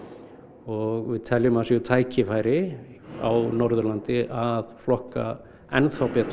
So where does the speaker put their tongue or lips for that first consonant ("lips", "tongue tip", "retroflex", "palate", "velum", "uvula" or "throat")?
velum